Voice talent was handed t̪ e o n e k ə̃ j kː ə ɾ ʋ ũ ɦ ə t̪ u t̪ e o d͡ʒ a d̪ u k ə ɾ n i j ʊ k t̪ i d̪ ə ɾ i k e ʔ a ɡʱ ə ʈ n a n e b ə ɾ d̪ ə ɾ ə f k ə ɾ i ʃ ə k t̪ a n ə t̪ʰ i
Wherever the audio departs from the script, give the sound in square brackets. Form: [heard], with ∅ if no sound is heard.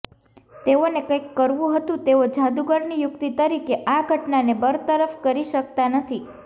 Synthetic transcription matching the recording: t̪ e o n e k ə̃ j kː ə ɾ ʋ ũ ɦ ə t̪ [ũ] t̪ e o d͡ʒ a d̪ u [ɡ] ə ɾ n i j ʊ k t̪ i [t̪] ə ɾ i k e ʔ a ɡʱ ə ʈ n a n e b ə ɾ [t̪] ə ɾ ə f k ə ɾ i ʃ ə k t̪ a n ə t̪ʰ i

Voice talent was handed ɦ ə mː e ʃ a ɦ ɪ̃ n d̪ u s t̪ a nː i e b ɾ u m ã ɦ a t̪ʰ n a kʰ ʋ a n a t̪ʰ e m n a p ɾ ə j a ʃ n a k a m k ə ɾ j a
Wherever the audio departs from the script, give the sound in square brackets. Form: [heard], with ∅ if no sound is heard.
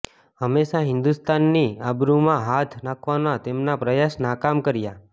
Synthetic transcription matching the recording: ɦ ə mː e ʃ a ɦ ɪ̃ n d̪ u s t̪ a nː i [a] b ɾ u m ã ɦ a t̪ʰ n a kʰ ʋ a n a [t̪] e m n a p ɾ ə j a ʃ n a k a m k ə ɾ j a

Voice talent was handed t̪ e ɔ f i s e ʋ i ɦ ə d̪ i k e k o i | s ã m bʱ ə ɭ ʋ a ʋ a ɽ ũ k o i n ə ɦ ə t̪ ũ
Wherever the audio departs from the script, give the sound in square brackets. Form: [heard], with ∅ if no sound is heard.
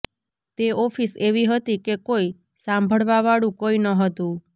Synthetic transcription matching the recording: t̪ e ɔ f i s e ʋ i ɦ ə [t̪] i k e k o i | s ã m bʱ ə ɭ ʋ a ʋ a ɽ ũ k o i n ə ɦ ə t̪ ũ

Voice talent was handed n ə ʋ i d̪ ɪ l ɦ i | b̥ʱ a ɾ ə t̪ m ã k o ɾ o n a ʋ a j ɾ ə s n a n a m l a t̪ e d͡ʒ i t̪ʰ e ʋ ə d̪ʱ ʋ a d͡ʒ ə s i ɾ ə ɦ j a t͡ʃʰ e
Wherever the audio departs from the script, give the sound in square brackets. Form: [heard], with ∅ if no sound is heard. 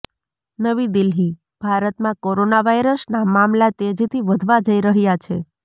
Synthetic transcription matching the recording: n ə ʋ i d̪ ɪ l ɦ i | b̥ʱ a ɾ ə t̪ m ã k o ɾ o n a ʋ a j ɾ ə s n a [m] a m l a t̪ e d͡ʒ i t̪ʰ [i] ʋ ə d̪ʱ ʋ a d͡ʒ ə [∅] i ɾ ə ɦ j a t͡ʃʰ e

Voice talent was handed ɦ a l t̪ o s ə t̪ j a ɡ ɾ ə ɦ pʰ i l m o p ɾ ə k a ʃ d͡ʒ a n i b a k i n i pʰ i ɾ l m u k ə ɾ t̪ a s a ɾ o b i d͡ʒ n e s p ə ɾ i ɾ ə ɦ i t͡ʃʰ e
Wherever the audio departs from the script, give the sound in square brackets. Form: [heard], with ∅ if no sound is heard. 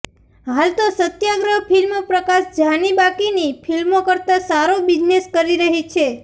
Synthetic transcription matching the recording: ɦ a l t̪ o s ə t̪ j a ɡ ɾ ə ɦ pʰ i l m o p ɾ ə k a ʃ d͡ʒ a n i b a k i n i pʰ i [∅] l m [o] k ə ɾ t̪ a s a ɾ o b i d͡ʒ n e s [k] ə ɾ i ɾ ə ɦ i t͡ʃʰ e

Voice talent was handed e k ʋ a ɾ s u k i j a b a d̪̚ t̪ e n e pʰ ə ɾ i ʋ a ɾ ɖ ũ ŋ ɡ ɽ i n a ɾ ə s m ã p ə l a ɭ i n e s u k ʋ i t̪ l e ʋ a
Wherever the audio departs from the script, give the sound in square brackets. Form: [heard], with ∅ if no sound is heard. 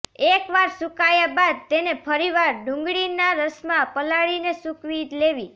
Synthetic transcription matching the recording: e k ʋ a ɾ s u k [a] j a b a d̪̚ t̪ e n e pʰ ə ɾ i ʋ a ɾ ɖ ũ ŋ ɡ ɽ i n a ɾ ə s m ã p ə l a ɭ i n e s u k ʋ i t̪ l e ʋ [i]

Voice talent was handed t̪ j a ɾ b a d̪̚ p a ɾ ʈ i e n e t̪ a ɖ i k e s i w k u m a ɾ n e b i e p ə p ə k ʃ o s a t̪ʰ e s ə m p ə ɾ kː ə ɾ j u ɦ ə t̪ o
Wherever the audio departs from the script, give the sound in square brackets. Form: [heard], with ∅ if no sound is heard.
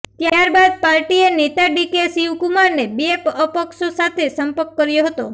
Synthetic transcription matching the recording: t̪ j a ɾ b a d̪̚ p a ɾ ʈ i e n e t̪ a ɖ i k e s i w k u m a ɾ n e b i e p ə p ə k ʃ o s a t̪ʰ e s ə m p ə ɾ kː ə ɾ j [o] ɦ ə t̪ o

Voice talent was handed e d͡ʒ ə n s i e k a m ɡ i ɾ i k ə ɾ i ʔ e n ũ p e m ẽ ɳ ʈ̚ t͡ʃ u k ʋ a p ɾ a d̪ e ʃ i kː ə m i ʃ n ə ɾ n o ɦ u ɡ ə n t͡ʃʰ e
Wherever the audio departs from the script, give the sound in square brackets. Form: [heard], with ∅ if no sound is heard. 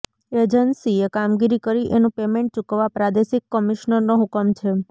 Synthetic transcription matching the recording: e d͡ʒ ə n s i e k a m ɡ i ɾ i k ə ɾ i ʔ e n ũ p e m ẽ ɳ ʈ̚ t͡ʃ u k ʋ a p ɾ a d̪ e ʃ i kː ə m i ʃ n ə ɾ n o ɦ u [k] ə [m] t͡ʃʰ e

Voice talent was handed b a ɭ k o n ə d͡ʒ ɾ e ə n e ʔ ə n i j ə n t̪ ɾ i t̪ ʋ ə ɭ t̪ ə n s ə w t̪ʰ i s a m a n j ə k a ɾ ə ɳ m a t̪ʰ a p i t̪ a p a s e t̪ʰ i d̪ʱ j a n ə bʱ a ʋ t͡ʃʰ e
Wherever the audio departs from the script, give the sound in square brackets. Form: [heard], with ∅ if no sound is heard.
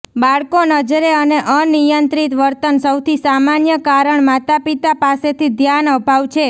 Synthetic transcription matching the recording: b a ɭ k o n ə d͡ʒ ɾ e ə n e ʔ ə n i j ə n t̪ ɾ i t̪ ʋ ə [ɾ] t̪ ə n s ə w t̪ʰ i s a m a n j ə k a ɾ ə ɳ m a [t̪] a p i t̪ a p a s e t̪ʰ i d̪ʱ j a n ə bʱ a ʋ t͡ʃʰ e

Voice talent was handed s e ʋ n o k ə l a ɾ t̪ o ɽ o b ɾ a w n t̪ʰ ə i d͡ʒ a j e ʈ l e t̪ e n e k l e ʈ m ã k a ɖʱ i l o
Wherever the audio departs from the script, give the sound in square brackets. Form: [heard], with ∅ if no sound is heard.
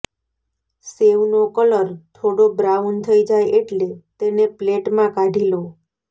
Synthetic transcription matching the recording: s e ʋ n o k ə l [ə] ɾ [t̪ʰ] o ɽ o b ɾ a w n t̪ʰ ə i d͡ʒ a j e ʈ l e t̪ e n e [p] l e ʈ m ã k a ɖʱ i l o

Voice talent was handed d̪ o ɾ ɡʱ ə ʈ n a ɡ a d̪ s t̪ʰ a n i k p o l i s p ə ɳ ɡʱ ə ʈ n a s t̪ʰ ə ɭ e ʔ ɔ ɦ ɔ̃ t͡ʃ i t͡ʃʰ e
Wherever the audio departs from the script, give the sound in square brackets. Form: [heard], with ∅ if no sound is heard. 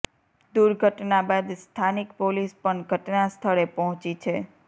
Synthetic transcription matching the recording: d̪ [u] ɾ ɡʱ ə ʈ n a [b] a d̪ s t̪ʰ a n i k p o l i s p ə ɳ ɡʱ ə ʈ n a s t̪ʰ ə ɭ e [p] ɔ ɦ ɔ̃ t͡ʃ i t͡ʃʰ e

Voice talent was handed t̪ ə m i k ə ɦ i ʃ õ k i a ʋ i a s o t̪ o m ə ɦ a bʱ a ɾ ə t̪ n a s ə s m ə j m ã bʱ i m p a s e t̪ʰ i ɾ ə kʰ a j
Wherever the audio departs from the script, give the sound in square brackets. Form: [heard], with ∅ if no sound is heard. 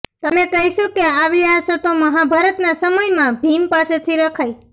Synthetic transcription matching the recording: t̪ ə m [e] k ə ɦ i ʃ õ k [e] a ʋ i a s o t̪ o m ə ɦ a bʱ a ɾ ə t̪ n a s ə [∅] m ə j m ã bʱ i m p a s e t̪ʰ i ɾ ə kʰ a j

